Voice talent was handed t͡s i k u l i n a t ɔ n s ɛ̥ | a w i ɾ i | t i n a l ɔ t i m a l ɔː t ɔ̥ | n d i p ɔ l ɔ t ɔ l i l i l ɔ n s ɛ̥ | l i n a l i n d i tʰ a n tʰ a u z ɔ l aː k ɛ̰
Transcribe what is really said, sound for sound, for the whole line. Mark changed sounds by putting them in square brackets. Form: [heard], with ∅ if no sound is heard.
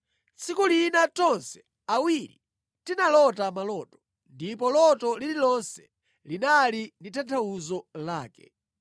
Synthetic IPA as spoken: t͡s i k u l i n a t ɔ n s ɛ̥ | a w i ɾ i | t i n a l ɔ t [a] m a l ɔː t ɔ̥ | n d i p ɔ l ɔ t ɔ l i l i l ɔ n s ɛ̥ | l i n a l i n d i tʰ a n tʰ a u z ɔ l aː k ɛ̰